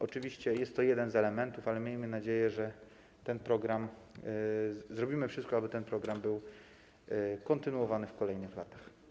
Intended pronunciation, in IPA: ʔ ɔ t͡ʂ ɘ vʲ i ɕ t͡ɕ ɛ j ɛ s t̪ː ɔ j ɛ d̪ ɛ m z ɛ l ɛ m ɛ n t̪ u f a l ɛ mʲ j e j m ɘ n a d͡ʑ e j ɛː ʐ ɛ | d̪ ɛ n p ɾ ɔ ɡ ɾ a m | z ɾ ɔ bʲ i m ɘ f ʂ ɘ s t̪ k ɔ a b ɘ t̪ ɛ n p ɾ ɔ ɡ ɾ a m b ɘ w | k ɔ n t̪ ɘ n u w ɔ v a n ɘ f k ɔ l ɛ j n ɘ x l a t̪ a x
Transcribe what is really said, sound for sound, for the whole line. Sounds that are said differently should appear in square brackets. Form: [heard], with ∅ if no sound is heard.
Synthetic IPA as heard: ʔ ɔ t͡ʂ ɘ vʲ i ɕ t͡ɕ ɛ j ɛ s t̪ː ɔ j ɛ d̪ ɛ [n] z ɛ l ɛ m ɛ n t̪ u f a l ɛ mʲ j e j m ɘ n a d͡ʑ e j [ɛ] ʐ ɛ | [t̪] ɛ n p ɾ ɔ ɡ ɾ a m | z ɾ ɔ bʲ i m ɘ f ʂ ɘ s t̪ k ɔ a b ɘ t̪ ɛ n p ɾ ɔ ɡ ɾ a m b ɘ w | k ɔ n t̪ ɘ n u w ɔ v a n ɘ f k ɔ l ɛ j n ɘ x l a t̪ a x